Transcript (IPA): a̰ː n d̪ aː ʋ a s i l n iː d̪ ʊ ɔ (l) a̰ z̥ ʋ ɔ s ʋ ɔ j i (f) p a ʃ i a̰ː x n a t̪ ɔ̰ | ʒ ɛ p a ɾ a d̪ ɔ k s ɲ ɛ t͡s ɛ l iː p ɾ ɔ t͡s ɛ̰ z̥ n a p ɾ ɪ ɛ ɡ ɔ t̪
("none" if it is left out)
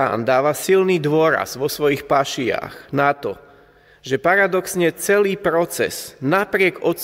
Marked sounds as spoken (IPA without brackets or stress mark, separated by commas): ɾ, x